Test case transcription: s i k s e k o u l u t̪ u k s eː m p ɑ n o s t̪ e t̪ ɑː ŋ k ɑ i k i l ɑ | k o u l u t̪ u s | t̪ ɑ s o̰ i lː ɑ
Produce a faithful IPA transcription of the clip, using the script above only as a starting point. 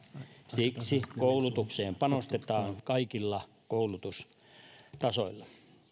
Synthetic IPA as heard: s i k s i k o u l u t̪ u k s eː m p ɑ n o s t̪ e t̪ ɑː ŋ k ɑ i k i lː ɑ | k o u l u t̪ u s | t̪ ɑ s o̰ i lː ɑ